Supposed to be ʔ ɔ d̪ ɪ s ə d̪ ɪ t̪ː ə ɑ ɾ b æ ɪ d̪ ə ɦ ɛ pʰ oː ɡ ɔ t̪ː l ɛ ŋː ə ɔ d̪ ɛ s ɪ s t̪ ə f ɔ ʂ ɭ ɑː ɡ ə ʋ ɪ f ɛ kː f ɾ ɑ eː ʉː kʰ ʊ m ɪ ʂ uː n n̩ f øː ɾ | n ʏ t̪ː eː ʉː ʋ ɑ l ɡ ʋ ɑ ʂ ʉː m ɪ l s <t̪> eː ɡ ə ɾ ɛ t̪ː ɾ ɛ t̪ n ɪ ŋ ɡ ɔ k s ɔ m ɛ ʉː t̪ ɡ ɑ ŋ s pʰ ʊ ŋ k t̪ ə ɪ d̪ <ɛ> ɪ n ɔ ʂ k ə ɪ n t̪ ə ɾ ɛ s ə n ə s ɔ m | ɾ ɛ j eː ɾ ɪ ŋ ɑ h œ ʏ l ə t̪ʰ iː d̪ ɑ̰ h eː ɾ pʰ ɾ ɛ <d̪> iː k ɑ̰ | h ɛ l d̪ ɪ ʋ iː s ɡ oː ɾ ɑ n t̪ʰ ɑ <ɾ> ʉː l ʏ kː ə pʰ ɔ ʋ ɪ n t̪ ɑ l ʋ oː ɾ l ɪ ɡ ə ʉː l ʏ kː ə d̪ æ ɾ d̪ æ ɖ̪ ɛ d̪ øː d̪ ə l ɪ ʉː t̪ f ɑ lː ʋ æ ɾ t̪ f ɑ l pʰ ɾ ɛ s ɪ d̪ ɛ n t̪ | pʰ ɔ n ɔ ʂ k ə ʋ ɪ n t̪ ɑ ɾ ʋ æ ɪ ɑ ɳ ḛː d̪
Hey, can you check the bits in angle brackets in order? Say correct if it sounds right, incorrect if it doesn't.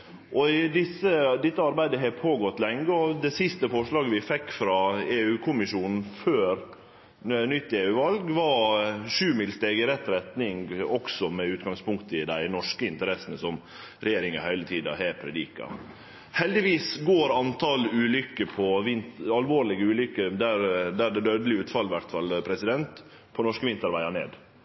correct, incorrect: æ, correct, incorrect: l

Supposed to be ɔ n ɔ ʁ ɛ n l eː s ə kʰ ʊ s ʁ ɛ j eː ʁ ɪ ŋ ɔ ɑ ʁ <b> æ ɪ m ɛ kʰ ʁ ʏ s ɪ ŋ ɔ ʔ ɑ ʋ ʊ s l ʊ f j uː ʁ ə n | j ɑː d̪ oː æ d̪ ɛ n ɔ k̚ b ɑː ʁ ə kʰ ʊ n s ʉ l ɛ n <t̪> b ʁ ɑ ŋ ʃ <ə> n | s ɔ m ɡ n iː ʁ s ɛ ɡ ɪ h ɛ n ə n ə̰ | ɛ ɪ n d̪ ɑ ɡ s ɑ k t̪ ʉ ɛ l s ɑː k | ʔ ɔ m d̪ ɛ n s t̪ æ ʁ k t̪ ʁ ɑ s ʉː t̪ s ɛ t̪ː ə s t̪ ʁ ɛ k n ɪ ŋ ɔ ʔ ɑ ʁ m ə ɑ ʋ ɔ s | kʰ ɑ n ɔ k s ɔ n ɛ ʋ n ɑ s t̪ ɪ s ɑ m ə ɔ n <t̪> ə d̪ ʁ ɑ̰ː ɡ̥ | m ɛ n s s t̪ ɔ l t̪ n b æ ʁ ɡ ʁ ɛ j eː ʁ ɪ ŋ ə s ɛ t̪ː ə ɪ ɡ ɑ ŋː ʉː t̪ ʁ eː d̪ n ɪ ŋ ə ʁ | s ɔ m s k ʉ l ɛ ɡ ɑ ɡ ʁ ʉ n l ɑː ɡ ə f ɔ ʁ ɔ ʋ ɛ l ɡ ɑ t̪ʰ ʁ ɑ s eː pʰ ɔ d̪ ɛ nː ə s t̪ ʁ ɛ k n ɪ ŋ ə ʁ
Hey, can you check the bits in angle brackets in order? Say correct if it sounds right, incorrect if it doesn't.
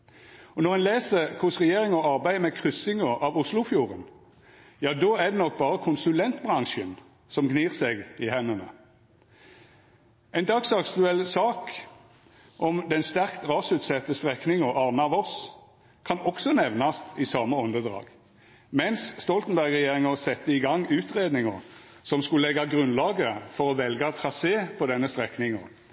correct, correct, correct, incorrect: d̪

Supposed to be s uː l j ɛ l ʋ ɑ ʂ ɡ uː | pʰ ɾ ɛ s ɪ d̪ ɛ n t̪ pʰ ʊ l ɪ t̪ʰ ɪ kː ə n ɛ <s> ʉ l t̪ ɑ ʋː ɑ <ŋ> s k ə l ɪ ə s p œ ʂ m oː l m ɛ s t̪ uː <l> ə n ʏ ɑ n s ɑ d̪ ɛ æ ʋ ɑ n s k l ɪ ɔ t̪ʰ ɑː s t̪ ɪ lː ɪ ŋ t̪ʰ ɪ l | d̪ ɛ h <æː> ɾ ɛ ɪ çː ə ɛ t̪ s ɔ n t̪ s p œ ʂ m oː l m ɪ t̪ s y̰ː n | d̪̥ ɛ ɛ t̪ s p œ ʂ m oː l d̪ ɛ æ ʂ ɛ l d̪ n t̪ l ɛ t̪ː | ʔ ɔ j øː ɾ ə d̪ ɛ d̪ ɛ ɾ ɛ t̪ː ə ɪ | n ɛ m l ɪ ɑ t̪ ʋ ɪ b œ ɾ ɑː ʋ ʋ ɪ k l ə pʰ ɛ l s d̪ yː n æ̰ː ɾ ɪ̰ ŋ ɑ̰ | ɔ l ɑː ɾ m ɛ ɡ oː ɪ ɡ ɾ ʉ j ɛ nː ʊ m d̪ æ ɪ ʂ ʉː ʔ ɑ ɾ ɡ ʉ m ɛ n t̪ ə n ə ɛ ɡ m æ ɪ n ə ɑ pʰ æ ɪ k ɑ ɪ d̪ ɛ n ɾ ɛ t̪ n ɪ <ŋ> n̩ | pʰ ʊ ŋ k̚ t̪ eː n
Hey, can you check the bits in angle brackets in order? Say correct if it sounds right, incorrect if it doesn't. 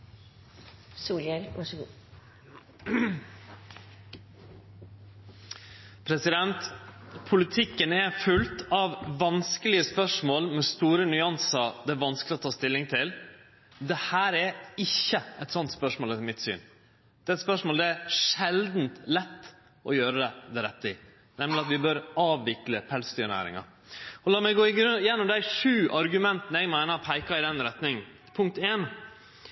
incorrect: f, incorrect: n, incorrect: ɾ, correct, correct

